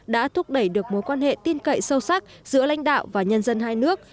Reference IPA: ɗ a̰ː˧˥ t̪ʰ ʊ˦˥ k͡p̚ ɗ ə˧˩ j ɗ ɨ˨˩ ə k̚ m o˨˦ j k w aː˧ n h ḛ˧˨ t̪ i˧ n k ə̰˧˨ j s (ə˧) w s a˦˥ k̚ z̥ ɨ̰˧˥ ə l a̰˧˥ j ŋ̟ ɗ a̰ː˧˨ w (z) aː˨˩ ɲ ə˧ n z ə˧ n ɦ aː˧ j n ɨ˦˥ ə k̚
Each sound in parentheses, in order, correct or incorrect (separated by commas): correct, incorrect